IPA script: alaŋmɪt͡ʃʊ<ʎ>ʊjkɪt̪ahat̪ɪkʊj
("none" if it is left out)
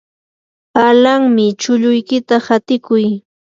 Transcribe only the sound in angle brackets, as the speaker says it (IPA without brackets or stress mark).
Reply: ʎ